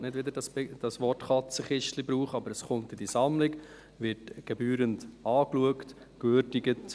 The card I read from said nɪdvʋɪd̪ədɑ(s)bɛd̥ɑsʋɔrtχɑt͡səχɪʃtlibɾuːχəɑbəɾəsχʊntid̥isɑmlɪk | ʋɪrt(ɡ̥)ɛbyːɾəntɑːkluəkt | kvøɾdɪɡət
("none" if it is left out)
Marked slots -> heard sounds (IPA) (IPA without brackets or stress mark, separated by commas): s, ɡ̥